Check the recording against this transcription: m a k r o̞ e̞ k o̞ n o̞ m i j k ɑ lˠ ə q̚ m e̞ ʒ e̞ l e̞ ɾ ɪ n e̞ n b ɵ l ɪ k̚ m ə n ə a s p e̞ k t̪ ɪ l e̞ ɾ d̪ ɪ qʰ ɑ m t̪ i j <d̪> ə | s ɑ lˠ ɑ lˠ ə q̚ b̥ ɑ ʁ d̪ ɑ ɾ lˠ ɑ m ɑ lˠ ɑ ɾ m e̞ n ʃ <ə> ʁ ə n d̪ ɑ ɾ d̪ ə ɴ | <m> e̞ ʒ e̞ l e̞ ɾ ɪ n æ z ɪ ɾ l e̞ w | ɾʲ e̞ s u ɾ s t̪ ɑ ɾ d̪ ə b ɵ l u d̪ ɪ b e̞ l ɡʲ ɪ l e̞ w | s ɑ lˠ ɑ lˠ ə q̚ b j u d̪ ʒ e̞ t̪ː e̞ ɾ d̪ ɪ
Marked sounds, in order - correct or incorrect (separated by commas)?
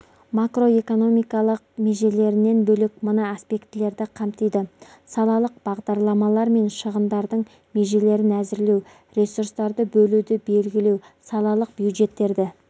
correct, correct, correct